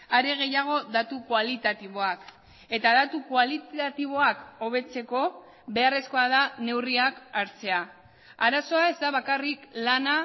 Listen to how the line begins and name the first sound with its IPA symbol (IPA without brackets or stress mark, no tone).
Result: a